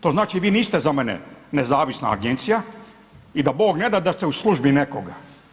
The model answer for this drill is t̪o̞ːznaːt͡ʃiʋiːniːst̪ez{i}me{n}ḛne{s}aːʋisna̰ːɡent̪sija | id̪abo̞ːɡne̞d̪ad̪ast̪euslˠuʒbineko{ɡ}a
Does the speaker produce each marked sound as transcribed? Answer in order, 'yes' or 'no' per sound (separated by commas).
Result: no, yes, no, yes